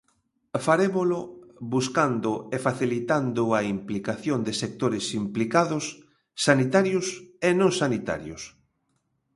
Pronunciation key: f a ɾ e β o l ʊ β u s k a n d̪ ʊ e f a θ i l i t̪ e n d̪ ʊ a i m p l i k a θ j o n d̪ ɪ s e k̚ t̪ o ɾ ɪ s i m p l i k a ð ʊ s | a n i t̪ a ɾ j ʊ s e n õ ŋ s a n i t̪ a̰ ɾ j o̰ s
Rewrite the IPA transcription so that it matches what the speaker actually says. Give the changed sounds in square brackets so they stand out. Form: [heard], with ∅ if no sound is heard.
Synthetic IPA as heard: f a ɾ e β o l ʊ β u s k a n d̪ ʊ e f a θ i l i t̪ [a] n d̪ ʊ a i m p l i k a θ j o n d̪ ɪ s e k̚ t̪ o ɾ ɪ s i m p l i k a ð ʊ [sː] | a n i t̪ a ɾ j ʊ s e n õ ŋ s a n i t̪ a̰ ɾ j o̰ s